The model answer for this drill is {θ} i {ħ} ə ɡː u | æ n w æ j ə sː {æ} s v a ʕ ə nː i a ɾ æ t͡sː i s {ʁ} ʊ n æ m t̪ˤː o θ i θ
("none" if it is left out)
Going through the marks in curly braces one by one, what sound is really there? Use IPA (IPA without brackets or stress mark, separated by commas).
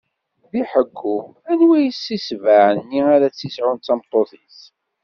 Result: ð, ħ, i, ʕ